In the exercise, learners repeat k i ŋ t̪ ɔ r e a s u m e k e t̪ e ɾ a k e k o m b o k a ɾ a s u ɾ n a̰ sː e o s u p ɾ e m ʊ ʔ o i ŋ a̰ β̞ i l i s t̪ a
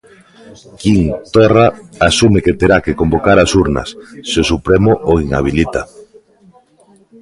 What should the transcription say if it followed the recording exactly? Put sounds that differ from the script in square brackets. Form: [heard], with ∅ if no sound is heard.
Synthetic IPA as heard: k i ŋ t̪ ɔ r [a] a s u m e k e t̪ e ɾ a k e k o m b o k a ɾ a s u ɾ n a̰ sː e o s u p ɾ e m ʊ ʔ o i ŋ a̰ β̞ i l i [∅] t̪ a

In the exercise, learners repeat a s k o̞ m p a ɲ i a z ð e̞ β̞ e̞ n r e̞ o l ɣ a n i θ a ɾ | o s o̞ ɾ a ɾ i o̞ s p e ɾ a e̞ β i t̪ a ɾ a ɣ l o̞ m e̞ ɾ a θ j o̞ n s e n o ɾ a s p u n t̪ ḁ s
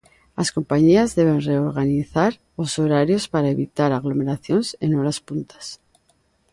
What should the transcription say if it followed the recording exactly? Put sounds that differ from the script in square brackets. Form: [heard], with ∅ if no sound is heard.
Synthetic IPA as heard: a s k o̞ m p a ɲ i a z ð e̞ β̞ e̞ n r e̞ o [ɾ] ɣ a n i θ a ɾ | o s o̞ ɾ a ɾ [j] o̞ s p [a] ɾ a e̞ β i t̪ a ɾ a ɣ l o̞ m e̞ ɾ a θ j o̞ n s e n o ɾ a s p u n t̪ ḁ s

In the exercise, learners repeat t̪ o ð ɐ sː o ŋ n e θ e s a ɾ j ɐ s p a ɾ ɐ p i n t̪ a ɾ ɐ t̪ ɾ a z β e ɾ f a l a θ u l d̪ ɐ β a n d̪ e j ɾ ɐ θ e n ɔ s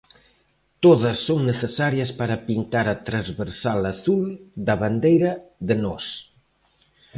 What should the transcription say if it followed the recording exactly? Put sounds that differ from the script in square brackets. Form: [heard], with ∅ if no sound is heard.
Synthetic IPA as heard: t̪ o ð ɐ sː o ŋ n e θ e s a ɾ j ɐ s p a ɾ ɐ p i n t̪ a ɾ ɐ t̪ ɾ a z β e ɾ [s] a l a θ u l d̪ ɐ β a n d̪ e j ɾ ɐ [ð] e n ɔ s

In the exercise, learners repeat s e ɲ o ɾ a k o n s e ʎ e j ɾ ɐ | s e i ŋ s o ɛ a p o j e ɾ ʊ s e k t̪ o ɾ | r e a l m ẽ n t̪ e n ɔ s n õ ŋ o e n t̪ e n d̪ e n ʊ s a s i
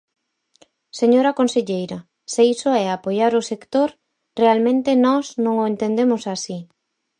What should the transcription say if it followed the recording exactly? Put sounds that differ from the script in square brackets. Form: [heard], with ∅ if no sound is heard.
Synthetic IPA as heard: s e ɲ o ɾ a k o n s e ʎ e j ɾ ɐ | s e i [∅] s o ɛ a p o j [a] ɾ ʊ s e k t̪ o ɾ | r e a l m ẽ n t̪ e n ɔ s n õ ŋ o e n t̪ e n d̪ e [m] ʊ s a s i

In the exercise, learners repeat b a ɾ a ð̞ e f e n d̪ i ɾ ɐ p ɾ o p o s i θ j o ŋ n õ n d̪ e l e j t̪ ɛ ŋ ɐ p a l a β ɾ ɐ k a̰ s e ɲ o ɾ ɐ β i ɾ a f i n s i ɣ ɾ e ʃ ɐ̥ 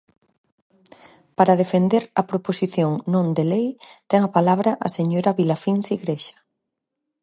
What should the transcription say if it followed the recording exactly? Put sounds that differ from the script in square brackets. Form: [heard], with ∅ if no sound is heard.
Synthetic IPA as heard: [p] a ɾ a ð̞ e f e n d̪ [e] ɾ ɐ p ɾ o p o s i θ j o ŋ n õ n d̪ e l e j t̪ ɛ ŋ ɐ p a l a β ɾ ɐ [ʔ] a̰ s e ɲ o ɾ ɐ β i [l] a f i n s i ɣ ɾ e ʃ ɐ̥

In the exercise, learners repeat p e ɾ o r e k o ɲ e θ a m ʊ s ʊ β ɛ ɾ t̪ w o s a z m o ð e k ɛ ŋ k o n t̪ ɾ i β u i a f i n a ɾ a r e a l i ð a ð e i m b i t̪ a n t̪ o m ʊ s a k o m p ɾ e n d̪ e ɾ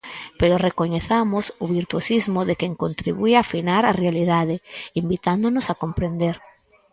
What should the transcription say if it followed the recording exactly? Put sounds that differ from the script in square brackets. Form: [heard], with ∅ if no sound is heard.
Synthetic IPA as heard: p e ɾ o r e k o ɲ e θ a m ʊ s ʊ β [i] ɾ t̪ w o s [i] z m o ð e k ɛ ŋ k o n t̪ ɾ i β u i a f i n a ɾ a r e a l i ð a ð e i m b i t̪ a n [d̪] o [n] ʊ s a k o m p ɾ e n d̪ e ɾ

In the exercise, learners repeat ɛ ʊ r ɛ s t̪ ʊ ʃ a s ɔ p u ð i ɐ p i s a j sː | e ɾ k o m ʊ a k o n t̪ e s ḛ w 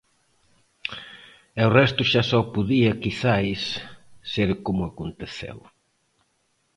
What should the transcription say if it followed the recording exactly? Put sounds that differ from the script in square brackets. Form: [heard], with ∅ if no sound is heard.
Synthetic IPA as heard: ɛ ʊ r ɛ s t̪ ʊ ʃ a s ɔ p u ð i ɐ [k] i [θ] a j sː | e ɾ k o m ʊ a k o n t̪ e [θ] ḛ w

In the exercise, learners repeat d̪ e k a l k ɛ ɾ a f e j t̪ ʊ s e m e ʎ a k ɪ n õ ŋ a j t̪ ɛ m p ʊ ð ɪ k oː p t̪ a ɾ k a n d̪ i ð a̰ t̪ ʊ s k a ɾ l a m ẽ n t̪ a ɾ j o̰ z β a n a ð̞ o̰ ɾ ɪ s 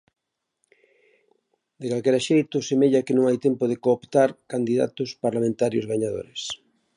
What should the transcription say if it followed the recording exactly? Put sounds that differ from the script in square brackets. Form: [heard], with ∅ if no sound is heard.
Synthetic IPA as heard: d̪ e k a l k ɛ ɾ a [ʃ] e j t̪ ʊ s e m e ʎ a k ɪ n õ ŋ a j t̪ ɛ m p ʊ ð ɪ k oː p t̪ a ɾ k a n d̪ i ð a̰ t̪ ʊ s [p] a ɾ l a m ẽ n t̪ a ɾ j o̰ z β a [ɲ] a ð̞ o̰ ɾ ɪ s

